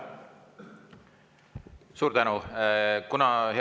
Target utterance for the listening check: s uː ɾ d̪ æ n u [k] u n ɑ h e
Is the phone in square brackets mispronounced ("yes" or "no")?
no